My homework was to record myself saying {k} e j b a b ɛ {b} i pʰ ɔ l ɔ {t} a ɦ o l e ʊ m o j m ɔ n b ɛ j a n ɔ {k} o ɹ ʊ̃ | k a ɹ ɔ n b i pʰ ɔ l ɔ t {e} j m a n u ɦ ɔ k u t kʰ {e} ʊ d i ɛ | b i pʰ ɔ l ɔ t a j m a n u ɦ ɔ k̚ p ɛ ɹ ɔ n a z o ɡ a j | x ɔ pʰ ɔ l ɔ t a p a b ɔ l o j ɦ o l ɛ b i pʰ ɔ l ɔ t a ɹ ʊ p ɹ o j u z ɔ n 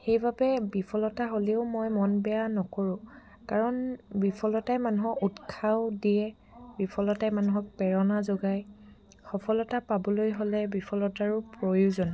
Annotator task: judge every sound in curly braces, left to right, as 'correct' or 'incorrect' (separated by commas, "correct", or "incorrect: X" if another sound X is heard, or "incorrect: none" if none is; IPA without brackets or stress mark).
incorrect: x, correct, correct, correct, incorrect: a, incorrect: a